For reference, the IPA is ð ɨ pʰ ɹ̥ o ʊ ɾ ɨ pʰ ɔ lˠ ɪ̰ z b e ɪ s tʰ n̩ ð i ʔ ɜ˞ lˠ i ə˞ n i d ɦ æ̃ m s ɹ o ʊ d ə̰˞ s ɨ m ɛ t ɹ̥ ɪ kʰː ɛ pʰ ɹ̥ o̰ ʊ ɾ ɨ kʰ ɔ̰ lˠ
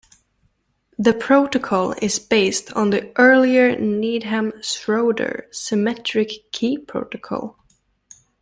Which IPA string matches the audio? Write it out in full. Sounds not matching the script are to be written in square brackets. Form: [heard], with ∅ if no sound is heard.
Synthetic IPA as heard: ð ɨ pʰ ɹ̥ o ʊ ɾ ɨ [kʰ] ɔ lˠ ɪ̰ z b e ɪ s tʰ n̩ ð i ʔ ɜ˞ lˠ i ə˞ n i d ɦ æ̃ m s ɹ o ʊ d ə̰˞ s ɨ m ɛ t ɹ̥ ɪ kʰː [i] pʰ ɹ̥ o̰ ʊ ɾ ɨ kʰ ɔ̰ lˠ